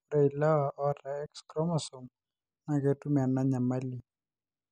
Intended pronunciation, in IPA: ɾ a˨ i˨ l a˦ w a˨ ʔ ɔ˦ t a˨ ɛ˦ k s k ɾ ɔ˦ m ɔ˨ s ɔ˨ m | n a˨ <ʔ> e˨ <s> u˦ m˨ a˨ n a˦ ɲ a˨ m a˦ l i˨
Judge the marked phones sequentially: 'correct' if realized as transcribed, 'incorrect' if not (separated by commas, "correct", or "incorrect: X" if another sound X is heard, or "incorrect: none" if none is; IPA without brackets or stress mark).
incorrect: k, incorrect: t